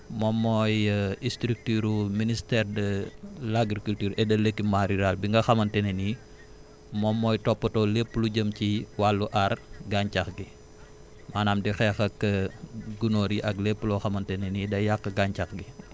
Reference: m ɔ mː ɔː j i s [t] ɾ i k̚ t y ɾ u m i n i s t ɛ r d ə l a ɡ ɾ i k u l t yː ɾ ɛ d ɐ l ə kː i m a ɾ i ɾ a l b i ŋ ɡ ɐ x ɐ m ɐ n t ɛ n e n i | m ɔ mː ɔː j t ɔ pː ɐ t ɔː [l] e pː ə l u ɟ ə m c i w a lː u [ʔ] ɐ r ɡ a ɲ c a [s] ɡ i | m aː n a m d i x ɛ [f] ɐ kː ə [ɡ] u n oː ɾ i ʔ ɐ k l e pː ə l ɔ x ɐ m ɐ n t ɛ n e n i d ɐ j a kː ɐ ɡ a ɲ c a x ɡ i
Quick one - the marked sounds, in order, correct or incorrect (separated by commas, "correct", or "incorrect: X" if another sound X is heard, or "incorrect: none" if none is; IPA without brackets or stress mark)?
correct, correct, correct, incorrect: x, incorrect: x, correct